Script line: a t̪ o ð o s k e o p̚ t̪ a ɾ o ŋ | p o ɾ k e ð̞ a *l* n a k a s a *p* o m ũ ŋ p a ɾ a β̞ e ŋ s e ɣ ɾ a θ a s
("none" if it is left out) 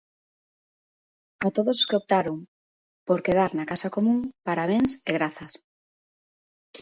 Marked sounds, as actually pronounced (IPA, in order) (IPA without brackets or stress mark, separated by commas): ɾ, k